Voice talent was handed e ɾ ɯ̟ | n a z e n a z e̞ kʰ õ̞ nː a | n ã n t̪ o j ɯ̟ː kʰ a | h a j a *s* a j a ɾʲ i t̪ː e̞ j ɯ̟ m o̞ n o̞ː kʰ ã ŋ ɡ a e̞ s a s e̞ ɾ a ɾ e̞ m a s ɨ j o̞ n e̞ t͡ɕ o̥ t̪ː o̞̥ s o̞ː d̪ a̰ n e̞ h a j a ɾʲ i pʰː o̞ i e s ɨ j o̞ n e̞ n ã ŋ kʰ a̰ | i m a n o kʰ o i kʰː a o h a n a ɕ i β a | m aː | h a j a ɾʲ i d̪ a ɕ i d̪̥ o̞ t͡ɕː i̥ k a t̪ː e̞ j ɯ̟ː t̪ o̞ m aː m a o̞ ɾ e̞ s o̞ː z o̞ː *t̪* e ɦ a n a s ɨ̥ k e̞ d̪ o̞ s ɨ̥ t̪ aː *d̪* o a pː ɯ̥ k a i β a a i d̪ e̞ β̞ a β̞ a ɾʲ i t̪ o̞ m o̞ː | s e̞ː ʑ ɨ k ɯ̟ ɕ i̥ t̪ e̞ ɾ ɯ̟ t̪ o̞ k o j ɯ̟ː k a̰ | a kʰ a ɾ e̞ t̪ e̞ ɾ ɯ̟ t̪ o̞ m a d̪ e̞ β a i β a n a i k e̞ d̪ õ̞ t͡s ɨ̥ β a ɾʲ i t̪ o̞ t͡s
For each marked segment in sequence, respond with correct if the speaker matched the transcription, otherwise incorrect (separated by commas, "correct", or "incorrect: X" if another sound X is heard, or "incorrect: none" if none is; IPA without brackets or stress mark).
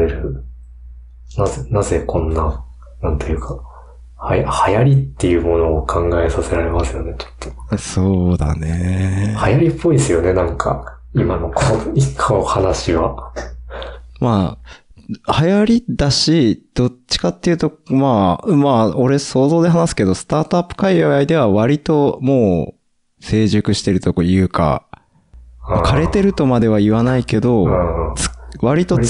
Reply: incorrect: h, incorrect: d̪, incorrect: t̪